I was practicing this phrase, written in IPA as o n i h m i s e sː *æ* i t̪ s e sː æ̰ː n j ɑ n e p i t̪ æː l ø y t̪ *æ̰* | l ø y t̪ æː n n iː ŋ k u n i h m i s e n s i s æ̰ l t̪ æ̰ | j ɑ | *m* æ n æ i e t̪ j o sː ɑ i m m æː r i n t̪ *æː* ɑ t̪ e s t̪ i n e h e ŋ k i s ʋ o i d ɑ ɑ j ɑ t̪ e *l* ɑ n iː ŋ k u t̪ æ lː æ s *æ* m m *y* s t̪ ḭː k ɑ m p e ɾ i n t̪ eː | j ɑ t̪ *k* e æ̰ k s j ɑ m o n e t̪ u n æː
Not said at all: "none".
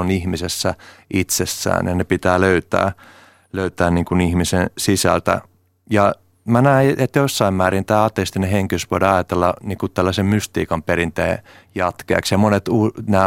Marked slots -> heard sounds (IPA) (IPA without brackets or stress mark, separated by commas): æ, æ̰ː, m, æː, lː, e, y, k